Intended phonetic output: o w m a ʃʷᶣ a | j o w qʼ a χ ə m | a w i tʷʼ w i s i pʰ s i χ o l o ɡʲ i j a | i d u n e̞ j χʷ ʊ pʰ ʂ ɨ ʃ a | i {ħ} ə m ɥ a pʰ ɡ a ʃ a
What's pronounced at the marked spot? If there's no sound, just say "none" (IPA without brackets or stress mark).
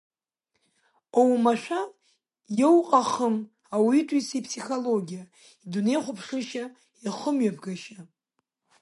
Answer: χ